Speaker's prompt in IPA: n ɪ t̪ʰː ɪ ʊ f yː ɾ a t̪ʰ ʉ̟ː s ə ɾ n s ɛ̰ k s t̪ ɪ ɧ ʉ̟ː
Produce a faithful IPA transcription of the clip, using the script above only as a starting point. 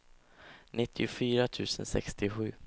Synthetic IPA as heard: n ɪ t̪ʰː ɪ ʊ f yː ɾ a t̪ʰ ʉ̟ː s ə n s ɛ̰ k s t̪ ɪ ɧ ʉ̟ː